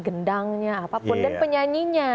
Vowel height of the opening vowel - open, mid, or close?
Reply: mid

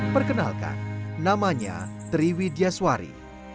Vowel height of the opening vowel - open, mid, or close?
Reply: mid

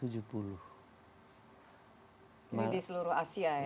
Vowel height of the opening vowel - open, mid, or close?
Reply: close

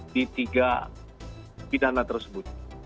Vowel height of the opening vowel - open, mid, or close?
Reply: close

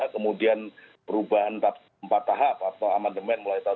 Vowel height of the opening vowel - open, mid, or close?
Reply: mid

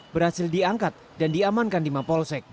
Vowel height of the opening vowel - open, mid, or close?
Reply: mid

